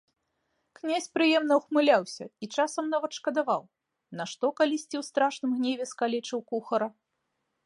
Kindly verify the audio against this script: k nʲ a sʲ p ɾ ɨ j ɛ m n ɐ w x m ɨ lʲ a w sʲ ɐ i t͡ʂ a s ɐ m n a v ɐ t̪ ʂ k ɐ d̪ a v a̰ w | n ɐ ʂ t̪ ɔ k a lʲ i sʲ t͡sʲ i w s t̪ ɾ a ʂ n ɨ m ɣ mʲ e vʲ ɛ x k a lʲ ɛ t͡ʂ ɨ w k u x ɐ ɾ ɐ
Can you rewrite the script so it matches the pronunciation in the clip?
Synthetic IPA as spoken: k nʲ a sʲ p ɾ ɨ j ɛ m n ɐ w x m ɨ lʲ a w sʲ ɐ i t͡ʂ a s ɐ m n a v ɐ t̪ ʂ k ɐ d̪ a v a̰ w | n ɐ ʂ t̪ ɔ k a lʲ i sʲ t͡sʲ i w s t̪ ɾ a ʂ n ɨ m ɣ nʲ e vʲ ɛ s k a lʲ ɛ t͡ʂ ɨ w k u x ɐ ɾ ɐ